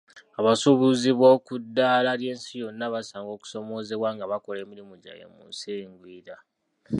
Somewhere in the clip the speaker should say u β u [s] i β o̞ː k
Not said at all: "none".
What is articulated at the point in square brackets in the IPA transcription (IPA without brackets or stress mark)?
z